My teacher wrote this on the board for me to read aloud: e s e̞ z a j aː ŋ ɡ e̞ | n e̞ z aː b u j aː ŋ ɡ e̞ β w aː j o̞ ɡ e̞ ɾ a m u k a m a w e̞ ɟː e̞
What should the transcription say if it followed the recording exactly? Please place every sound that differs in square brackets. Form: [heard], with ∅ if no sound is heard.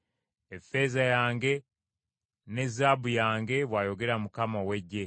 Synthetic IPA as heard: e [f] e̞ z a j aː ŋ ɡ e̞ | n e̞ z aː b u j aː ŋ ɡ e̞ β w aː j o̞ ɡ e̞ ɾ a m u k a m a w e̞ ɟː e̞